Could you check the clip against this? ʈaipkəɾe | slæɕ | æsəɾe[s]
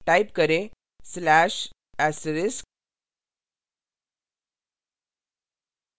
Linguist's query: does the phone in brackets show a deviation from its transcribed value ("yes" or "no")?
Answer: no